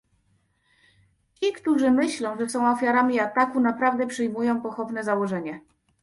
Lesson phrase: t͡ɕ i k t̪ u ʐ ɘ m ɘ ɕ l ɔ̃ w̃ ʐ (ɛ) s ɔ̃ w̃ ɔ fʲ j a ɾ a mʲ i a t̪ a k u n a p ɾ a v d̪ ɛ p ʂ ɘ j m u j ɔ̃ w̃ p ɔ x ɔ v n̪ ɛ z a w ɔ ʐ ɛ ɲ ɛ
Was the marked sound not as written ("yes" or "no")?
no